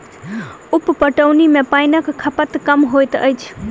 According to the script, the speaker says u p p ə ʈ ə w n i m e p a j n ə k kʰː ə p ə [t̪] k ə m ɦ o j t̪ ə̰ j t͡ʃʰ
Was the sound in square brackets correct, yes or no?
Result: yes